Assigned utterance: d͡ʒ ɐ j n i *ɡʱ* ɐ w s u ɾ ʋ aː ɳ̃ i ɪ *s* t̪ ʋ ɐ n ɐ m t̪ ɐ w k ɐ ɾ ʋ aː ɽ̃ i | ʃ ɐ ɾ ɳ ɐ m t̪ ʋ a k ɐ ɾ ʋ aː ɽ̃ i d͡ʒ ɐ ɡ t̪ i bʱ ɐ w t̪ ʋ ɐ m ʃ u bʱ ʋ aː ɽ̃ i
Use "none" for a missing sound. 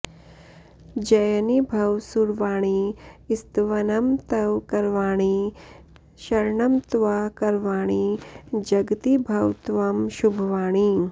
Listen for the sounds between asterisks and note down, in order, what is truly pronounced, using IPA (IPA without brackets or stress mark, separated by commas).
bʱ, s